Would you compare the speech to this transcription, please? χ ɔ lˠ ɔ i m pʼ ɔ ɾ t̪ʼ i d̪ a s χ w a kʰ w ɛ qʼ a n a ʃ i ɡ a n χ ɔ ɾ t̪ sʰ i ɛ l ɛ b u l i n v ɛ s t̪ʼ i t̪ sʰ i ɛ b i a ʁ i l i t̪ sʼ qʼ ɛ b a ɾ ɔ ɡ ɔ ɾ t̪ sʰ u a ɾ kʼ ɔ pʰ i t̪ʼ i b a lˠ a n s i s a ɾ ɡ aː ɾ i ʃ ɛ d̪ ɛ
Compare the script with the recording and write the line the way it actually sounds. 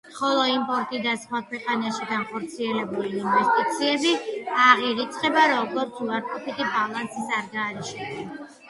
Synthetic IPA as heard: χ ɔ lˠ ɔ i m pʼ ɔ ɾ t̪ʼ i d̪ a s χ w a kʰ w ɛ qʼ a n a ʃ i ɡ a n χ ɔ ɾ t̪ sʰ i ɛ l ɛ b u l iː n v ɛ s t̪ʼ i t̪ sʰ i ɛ b i a ʁ i ɾ i t̪ sʼ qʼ ɛ b a ɾ ɔ ɡ ɔ ɾ t̪ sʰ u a ɾ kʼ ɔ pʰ i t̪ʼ i b a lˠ a n s i s a ɾ ɡ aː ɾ i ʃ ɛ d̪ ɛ

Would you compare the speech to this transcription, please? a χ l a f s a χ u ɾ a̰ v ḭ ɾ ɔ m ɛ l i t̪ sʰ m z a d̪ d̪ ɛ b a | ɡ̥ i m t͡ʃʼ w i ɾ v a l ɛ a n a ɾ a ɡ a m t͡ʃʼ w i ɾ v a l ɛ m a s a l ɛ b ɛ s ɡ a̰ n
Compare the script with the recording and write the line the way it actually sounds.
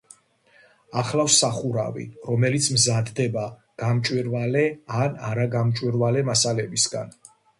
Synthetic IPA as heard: a χ l a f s a χ u ɾ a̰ v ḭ ɾ ɔ m ɛ l i t̪ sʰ m z a d̪ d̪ ɛ b a | ɡ̥ a m t͡ʃʼ w i ɾ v a l ɛ a n a ɾ a ɡ a m t͡ʃʼ w i ɾ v a l ɛ m a s a l ɛ b i s ɡ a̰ n

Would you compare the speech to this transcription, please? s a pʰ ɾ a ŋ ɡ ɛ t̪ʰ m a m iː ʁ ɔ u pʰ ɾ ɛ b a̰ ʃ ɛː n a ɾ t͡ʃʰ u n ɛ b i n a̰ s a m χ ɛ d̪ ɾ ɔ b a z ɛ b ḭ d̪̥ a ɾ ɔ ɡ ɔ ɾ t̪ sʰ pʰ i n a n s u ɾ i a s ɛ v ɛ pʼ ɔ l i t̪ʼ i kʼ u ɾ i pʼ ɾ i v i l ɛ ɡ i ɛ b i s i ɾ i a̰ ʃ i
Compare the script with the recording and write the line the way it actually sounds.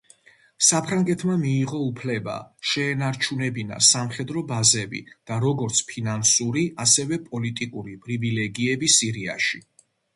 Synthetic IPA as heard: s a pʰ ɾ a ŋ ɡ ɛ t̪ʰ m a m iː ʁ ɔ u pʰ l ɛ b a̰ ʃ ɛː n a ɾ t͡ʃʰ u n ɛ b i n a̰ s a m χ ɛ d̪ ɾ ɔ b a z ɛ b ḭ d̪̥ a ɾ ɔ ɡ ɔ ɾ t̪ sʰ pʰ i n a n s u ɾ i a s ɛ v ɛ pʼ ɔ l i t̪ʼ i kʼ u ɾ i pʼ ɾ i v i l ɛ ɡ i ɛ b i s i ɾ i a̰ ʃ i

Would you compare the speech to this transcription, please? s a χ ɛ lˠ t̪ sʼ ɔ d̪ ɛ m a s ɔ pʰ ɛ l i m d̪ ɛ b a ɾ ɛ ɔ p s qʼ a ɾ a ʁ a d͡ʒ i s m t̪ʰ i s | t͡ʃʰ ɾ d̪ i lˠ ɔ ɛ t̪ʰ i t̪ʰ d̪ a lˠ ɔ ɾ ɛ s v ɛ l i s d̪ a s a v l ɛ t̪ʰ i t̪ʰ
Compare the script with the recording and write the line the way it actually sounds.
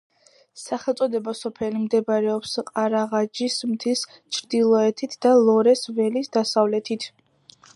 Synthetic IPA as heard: s a χ ɛ lˠ t̪ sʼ ɔ d̪ ɛ b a s ɔ pʰ ɛ l i m d̪ ɛ b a ɾ ɛ ɔ p s qʼ a ɾ a ʁ a d͡ʒ i s m t̪ʰ i s | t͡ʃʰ ɾ d̪ i lˠ ɔ ɛ t̪ʰ i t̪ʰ d̪ a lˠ ɔ ɾ ɛ s v ɛ l i s d̪ a s a v l ɛ t̪ʰ i t̪ʰ

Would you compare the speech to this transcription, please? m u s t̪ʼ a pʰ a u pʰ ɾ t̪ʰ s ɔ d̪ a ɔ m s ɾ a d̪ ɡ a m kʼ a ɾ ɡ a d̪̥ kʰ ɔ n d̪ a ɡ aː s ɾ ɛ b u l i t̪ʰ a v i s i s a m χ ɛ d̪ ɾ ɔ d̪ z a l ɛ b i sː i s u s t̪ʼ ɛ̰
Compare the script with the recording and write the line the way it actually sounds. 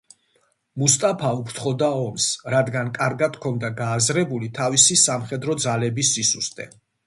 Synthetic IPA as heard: m u s t̪ʼ a pʰ a u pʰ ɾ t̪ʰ χ ɔ d̪ a ɔ m s ɾ a d̪ ɡ a n kʼ a ɾ ɡ a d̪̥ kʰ ɔ n d̪ a ɡ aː z ɾ ɛ b u l i t̪ʰ a v i s i s a m χ ɛ d̪ ɾ ɔ d̪ z a l ɛ b i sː i s u s t̪ʼ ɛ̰

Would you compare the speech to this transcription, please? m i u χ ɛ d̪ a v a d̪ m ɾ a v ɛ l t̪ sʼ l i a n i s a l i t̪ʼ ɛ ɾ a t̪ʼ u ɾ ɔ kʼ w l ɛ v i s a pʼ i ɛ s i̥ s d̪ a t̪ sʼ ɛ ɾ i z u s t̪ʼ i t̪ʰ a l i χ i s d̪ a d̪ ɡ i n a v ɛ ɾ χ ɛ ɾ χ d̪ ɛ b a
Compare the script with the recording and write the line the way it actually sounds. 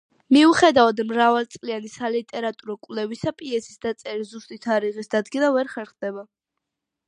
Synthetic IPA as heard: m i u χ ɛ d̪ a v a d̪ m ɾ a v a l t̪ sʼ l i a n i s a l i t̪ʼ ɛ ɾ a t̪ʼ u ɾ ɔ kʼ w l ɛ v i s a pʼ i ɛ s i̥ s d̪ a t̪ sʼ ɛ ɾ i z u s t̪ʼ i t̪ʰ a ɾ i ʁ i s d̪ a d̪ ɡ i n a v ɛ ɾ χ ɛ ɾ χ d̪ ɛ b a

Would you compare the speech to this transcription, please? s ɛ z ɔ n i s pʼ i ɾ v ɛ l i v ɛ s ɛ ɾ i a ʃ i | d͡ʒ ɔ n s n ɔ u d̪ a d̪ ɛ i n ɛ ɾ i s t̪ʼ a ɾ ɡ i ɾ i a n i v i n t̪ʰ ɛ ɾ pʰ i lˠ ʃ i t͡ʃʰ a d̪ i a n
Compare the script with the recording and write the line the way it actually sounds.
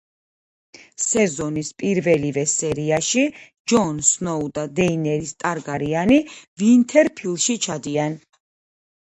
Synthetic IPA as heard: s ɛ z ɔ n i s pʼ i ɾ v ɛ l i v ɛ s ɛ ɾ i a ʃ i | d͡ʒ ɔ n s n ɔ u d̪ a d̪ ɛ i n ɛ ɾ i s t̪ʼ a ɾ ɡ a ɾ i a n i v i n t̪ʰ ɛ ɾ pʰ i lˠ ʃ i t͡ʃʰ a d̪ i a n

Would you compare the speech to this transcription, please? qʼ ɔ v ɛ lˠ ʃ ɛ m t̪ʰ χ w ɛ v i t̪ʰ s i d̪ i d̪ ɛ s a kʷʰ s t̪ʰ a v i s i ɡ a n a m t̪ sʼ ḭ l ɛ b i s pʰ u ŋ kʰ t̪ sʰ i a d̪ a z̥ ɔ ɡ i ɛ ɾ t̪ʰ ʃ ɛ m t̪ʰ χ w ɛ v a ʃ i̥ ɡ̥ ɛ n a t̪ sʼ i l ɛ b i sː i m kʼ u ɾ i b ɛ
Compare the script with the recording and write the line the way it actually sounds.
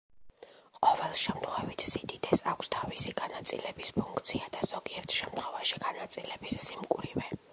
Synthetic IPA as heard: qʼ ɔ v ɛ lˠ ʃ ɛ m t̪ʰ χ w ɛ v i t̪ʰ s i d̪ i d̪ ɛ s a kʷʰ s t̪ʰ a v i s i ɡ a n a t̪ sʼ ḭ l ɛ b i s pʰ u ŋ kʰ t̪ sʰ i a d̪ a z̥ ɔ ɡ i ɛ ɾ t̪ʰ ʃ ɛ m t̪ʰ χ w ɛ v a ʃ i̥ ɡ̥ a n a t̪ sʼ i l ɛ b i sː i m kʼ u ɾ i v ɛ

